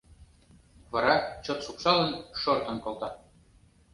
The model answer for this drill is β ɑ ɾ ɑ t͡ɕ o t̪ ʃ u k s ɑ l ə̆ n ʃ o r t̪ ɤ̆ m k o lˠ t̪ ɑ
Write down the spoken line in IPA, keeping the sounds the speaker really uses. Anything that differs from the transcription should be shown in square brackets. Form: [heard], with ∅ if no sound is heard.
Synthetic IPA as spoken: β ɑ ɾ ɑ t͡ɕ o t̪ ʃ u k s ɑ l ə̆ n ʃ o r t̪ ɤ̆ [n] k o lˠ t̪ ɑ